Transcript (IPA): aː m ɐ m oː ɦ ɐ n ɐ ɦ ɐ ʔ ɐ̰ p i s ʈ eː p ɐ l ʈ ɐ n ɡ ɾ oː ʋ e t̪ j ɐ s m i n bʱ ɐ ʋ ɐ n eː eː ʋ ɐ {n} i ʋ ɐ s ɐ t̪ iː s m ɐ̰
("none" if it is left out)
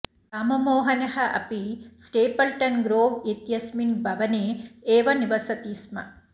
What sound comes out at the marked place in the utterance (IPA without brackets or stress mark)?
n